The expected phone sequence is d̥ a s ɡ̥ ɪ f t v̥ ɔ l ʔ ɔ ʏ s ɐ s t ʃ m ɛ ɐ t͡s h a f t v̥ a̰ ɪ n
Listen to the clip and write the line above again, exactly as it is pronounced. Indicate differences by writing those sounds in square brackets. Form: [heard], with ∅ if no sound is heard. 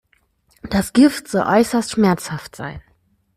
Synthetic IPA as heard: d̥ a s ɡ̥ ɪ f t [z̥] ɔ l ʔ ɔ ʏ s ɐ s t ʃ m ɛ ɐ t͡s h a f t [z̥] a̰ ɪ n